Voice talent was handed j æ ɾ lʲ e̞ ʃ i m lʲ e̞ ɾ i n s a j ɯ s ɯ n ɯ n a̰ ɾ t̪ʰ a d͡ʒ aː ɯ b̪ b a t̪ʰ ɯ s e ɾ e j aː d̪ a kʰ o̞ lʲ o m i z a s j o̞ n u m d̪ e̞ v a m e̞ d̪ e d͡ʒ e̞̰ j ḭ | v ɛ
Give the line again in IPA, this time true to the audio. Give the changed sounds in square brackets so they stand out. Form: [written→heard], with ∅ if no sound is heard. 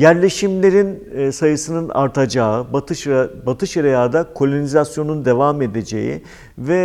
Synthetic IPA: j æ ɾ lʲ e̞ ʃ i m lʲ e̞ ɾ i n s a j ɯ s ɯ n ɯ n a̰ ɾ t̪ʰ a d͡ʒ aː ɯ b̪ b a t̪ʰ ɯ [s→ʃ] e ɾ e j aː d̪ a kʰ o̞ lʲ o [m→n] i z a s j o̞ n u [m→n] d̪ e̞ v a m e̞ d̪ e d͡ʒ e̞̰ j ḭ | v ɛ